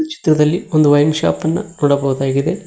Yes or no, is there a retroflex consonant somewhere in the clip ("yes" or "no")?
yes